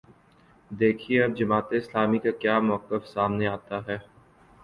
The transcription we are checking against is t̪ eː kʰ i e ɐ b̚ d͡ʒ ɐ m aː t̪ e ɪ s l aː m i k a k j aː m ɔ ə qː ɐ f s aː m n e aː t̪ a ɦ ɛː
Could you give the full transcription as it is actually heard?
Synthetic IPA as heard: d̪ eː kʰ i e ɐ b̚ d͡ʒ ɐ m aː t̪ e ɪ s l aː m i k a k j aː m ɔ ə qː ə f s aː m n e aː t̪ a ɦ ɛː